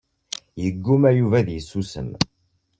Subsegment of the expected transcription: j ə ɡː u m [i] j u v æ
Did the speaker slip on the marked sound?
yes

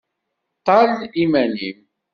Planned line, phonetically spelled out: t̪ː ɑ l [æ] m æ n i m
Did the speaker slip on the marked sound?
yes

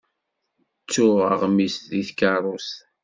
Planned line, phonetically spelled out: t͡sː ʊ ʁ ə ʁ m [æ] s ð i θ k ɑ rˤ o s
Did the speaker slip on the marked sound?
yes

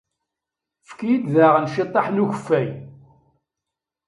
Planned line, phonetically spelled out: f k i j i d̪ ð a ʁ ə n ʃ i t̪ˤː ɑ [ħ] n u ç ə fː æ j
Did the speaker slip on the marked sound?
no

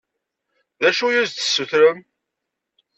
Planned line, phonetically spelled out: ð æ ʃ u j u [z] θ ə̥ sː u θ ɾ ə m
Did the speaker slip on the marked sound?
no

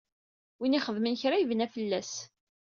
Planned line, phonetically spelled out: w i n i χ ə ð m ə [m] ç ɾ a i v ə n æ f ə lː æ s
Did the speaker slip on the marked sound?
yes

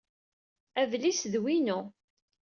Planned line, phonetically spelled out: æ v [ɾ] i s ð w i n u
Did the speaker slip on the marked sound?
yes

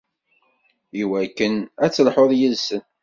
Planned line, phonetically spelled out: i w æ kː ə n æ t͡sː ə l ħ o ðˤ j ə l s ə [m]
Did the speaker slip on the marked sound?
yes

